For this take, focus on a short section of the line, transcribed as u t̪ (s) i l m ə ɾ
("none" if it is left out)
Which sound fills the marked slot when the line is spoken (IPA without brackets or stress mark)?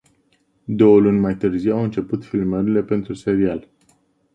f